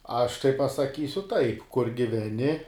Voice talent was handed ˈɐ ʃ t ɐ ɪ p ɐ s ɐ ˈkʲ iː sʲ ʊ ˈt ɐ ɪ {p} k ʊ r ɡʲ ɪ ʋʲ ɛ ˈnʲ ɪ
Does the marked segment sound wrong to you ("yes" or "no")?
no